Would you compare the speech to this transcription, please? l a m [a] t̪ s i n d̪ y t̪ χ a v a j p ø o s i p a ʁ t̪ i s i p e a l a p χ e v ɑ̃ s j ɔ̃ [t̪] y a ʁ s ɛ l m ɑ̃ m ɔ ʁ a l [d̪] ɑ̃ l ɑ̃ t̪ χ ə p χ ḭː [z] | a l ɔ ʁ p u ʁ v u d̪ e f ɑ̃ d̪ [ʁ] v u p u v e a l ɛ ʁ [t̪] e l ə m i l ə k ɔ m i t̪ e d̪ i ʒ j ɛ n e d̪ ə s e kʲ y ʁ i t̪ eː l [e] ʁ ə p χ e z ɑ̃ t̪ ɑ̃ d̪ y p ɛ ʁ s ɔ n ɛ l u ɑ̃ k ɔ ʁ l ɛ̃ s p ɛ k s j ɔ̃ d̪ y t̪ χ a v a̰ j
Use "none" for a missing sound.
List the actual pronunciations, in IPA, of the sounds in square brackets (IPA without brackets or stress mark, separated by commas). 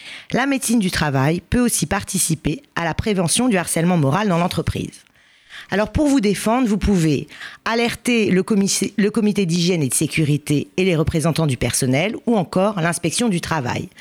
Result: e, d̪, d̪, z, ʁ, t̪, e